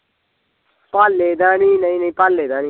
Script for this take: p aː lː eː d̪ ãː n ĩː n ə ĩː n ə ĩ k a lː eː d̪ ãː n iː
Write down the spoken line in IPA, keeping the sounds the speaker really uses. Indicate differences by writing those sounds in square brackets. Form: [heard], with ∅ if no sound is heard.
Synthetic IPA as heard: p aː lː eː d̪ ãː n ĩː n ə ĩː n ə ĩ [p] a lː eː d̪ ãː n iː